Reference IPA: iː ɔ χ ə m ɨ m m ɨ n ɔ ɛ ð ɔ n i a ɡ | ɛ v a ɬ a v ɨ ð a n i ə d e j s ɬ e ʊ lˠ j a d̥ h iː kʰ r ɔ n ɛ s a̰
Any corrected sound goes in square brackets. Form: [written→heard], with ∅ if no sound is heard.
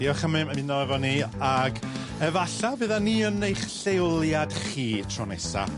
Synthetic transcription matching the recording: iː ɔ χ ə m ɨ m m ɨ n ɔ ɛ [ð→v] ɔ n i a ɡ | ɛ v a ɬ a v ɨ ð a n i ə [d→n] e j [s→χ] ɬ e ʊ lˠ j a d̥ [h→χ] iː [kʰ→tʰ] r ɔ n ɛ s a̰